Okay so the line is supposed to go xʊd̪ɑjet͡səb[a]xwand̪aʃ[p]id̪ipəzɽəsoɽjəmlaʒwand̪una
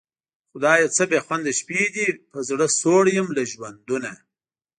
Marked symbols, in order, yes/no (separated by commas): no, yes